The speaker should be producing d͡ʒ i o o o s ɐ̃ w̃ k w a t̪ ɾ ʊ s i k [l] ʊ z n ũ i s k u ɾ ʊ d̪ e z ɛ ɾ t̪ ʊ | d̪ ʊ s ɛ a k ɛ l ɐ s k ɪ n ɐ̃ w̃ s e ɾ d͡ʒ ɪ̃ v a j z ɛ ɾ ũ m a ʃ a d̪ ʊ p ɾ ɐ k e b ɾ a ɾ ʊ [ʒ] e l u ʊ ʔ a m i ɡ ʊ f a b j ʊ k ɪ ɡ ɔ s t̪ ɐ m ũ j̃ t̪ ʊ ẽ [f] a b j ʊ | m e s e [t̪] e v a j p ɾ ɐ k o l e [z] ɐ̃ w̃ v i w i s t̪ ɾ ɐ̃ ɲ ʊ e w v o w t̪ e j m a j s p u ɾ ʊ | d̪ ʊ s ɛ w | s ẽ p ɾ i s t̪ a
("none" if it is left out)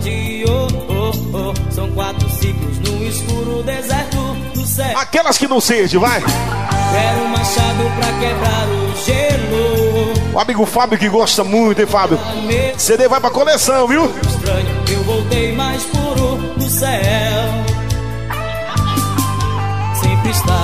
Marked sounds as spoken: l, ʒ, f, d̪, s

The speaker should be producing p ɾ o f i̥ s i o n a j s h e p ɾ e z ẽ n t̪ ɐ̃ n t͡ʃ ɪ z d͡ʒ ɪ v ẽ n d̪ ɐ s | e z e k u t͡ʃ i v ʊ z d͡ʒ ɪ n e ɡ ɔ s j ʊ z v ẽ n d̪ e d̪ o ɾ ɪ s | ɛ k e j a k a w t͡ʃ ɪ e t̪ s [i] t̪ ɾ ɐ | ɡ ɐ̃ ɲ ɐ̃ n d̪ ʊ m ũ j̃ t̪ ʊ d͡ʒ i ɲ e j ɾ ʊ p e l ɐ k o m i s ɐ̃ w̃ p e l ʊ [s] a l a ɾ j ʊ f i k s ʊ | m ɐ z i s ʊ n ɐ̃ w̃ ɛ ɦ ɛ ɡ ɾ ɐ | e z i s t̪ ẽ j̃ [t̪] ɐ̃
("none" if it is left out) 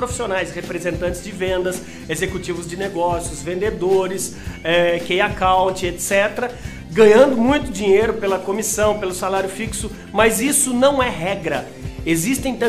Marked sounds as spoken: ɛ, s, t̪

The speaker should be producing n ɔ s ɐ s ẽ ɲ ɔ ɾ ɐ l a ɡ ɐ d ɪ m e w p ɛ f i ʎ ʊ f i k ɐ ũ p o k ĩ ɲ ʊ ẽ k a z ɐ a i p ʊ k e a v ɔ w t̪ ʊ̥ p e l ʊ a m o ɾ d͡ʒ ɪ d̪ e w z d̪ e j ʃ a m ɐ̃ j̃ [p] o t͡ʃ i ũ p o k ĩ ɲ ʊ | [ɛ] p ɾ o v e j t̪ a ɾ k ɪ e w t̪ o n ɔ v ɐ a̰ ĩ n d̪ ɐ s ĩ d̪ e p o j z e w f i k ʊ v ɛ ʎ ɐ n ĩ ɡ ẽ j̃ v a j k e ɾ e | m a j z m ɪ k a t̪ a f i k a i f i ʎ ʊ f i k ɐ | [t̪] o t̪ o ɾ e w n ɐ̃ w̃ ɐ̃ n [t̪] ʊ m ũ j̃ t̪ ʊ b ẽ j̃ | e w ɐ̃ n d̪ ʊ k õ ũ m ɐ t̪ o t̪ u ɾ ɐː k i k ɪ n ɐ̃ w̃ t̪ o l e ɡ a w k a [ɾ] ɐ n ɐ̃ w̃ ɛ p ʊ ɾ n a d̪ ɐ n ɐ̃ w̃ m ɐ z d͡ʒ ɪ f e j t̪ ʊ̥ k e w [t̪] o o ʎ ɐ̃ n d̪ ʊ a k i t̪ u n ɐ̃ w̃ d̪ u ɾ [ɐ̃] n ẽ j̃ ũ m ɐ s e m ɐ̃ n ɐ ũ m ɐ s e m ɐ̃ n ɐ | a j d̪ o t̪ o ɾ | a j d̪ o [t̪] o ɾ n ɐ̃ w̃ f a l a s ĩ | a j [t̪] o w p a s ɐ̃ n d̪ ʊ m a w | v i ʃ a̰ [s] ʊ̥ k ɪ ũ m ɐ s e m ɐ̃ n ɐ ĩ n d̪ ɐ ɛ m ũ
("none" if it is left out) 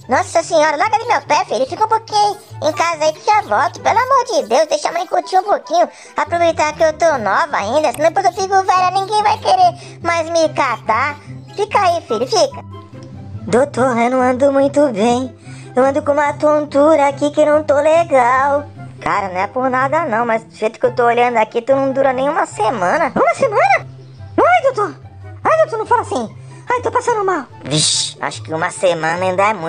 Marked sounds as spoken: k, a, d̪, d̪, ɾ, t̪, ɐ, t̪, t̪, ʃ

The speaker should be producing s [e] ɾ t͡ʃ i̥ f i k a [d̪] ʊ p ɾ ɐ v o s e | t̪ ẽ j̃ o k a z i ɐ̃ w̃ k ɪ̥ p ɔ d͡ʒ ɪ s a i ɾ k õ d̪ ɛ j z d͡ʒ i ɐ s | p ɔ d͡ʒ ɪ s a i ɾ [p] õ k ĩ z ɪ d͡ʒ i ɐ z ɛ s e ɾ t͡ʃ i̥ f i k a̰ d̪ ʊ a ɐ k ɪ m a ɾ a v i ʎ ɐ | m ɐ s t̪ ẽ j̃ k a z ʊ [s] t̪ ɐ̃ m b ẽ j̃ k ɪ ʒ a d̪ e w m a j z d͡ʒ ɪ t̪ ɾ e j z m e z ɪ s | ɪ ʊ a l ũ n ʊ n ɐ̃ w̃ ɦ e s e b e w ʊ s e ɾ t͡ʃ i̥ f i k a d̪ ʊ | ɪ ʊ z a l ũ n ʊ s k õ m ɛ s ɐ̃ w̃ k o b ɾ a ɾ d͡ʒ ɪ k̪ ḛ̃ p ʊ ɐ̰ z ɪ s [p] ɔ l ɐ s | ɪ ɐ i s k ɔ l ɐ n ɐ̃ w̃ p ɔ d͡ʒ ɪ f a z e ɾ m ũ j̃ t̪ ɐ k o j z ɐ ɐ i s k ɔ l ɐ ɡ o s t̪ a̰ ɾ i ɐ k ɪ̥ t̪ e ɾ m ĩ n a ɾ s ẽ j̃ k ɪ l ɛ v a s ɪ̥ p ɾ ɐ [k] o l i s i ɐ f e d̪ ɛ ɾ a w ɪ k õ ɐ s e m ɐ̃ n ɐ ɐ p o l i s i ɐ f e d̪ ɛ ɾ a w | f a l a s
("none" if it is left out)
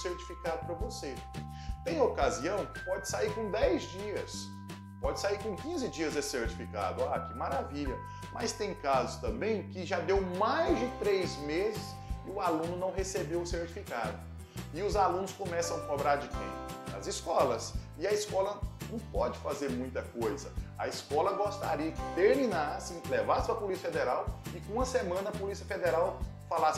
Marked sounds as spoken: e, d̪, k, s, k, p

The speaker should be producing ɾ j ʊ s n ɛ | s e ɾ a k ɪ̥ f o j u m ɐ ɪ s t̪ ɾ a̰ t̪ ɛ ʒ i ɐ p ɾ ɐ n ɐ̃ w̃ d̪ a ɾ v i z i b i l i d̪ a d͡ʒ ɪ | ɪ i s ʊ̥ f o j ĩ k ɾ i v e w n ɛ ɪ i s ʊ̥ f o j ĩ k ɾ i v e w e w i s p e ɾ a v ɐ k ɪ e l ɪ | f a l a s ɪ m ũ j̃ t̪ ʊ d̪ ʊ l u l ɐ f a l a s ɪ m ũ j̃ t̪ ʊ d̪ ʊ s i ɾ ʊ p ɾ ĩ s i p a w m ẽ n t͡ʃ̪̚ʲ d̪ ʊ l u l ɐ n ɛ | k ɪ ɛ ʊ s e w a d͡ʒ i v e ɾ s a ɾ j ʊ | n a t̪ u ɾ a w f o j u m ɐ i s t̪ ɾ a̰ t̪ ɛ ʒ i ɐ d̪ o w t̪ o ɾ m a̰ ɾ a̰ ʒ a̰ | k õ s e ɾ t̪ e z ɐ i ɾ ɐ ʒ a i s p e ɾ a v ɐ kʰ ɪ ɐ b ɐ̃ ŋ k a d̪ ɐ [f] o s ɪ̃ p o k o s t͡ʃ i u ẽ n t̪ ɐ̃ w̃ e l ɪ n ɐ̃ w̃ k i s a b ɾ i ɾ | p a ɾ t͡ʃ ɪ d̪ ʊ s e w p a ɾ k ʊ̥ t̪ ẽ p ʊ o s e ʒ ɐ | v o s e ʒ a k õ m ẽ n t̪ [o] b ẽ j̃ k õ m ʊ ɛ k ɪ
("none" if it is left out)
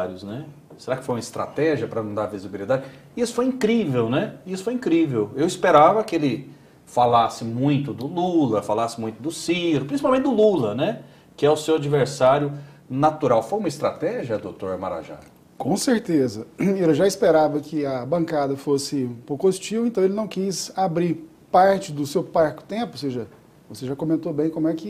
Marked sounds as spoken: f, o

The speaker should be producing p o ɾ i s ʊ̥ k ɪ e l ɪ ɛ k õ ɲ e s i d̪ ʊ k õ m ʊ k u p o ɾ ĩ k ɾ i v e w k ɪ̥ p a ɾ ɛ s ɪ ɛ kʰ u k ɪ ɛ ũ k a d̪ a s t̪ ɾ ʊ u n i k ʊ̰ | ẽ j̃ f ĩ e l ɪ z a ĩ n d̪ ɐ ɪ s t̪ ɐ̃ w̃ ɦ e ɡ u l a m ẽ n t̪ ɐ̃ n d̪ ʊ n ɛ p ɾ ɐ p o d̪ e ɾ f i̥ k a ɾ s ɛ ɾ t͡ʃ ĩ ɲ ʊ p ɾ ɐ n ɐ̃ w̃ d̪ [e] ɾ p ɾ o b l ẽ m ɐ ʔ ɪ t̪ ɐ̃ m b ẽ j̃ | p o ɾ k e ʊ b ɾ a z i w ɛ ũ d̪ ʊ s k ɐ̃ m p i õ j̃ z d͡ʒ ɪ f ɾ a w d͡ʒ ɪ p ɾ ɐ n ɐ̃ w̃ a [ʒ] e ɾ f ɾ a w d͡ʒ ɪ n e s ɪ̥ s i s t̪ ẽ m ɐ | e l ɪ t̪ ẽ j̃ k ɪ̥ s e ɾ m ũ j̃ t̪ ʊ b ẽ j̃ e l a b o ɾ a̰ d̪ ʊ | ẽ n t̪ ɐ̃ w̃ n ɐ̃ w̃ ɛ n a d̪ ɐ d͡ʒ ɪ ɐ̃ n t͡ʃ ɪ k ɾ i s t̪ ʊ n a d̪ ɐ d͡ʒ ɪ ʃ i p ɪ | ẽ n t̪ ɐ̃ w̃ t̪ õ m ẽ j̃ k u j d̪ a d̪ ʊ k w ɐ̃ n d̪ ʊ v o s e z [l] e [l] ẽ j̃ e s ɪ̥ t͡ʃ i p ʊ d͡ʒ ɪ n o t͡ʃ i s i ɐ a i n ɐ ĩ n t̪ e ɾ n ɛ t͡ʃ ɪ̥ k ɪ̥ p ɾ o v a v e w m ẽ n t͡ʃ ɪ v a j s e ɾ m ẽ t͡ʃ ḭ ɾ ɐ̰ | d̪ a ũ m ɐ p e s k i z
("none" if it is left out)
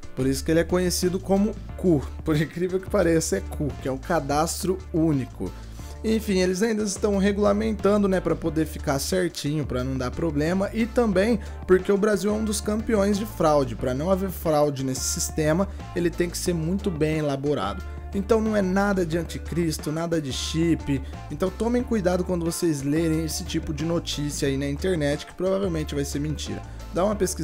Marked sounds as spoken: a, v, l, ɾ

